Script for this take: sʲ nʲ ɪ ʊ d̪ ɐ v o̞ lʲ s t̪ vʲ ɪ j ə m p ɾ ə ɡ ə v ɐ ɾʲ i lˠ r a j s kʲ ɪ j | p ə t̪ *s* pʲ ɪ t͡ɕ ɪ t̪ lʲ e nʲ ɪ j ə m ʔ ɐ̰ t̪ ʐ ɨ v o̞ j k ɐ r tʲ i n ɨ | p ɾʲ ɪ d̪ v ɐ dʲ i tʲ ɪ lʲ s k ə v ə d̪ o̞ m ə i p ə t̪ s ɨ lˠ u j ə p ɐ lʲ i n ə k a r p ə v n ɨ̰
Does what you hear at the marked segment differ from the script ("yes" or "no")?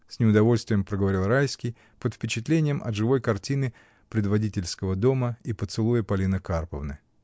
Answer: yes